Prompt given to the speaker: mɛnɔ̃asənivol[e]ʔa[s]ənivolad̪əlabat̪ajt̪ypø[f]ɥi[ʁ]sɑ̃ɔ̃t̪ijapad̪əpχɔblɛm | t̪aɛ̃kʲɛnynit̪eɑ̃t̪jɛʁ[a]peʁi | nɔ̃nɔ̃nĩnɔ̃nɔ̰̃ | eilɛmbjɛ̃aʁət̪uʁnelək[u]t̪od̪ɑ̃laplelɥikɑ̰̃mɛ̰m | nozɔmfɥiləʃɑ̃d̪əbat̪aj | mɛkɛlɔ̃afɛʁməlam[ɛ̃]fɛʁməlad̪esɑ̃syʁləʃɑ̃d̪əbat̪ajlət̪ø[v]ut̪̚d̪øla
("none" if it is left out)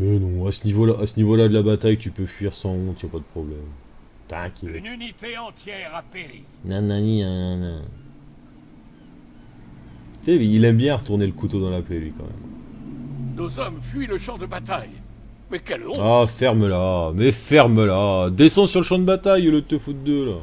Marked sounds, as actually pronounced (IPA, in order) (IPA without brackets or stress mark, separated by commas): a, s, f, ʁ, a, u, ɛ, f